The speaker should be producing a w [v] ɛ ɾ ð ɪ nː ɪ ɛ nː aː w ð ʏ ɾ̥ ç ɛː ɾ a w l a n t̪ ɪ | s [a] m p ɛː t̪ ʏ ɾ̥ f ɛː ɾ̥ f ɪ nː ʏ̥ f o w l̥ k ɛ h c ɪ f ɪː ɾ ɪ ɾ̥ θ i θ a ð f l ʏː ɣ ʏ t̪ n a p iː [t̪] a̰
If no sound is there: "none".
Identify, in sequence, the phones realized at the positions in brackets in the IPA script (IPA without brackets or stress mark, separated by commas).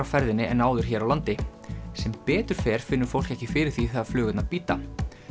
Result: f, ɛ, t̪